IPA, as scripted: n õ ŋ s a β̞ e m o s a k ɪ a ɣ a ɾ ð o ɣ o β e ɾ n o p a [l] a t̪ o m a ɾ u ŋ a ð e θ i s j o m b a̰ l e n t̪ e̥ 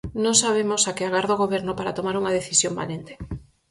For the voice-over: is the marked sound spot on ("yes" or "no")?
no